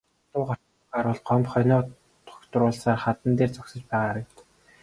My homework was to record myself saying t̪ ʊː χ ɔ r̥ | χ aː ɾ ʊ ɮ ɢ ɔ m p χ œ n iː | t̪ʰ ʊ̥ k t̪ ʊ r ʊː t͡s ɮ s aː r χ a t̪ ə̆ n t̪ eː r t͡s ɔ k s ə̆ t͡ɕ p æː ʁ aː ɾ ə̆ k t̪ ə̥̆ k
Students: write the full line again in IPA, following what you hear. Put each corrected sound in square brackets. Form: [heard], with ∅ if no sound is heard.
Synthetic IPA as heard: t̪ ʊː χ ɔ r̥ | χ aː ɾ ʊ ɮ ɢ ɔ m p χ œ n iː | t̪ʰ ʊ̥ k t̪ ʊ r ʊː [∅] ɮ s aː r χ a t̪ ə̆ n t̪ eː r t͡s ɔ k s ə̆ t͡ɕ p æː ʁ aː ɾ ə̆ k t̪ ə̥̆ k